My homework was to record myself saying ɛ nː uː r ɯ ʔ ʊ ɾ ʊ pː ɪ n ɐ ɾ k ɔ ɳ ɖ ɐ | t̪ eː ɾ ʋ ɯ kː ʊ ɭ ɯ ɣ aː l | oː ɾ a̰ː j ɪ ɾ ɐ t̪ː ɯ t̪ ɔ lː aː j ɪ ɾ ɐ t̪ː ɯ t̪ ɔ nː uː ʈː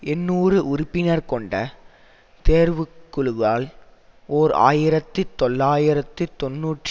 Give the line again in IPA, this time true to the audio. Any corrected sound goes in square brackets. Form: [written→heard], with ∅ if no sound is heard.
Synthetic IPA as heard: ɛ nː uː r ɯ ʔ ʊ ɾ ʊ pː ɪ n ɐ ɾ k ɔ ɳ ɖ ɐ | t̪ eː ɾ ʋ ɯ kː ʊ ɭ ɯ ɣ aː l | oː ɾ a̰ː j ɪ ɾ ɐ t̪ː ɯ t̪ ɔ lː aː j ɪ ɾ ɐ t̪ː ɯ t̪ ɔ nː uː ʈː